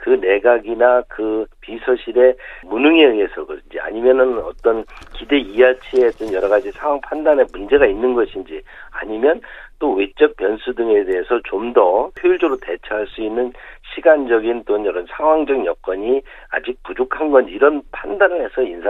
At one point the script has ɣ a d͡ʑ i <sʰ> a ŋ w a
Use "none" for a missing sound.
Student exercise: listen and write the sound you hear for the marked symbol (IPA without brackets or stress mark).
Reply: sʰ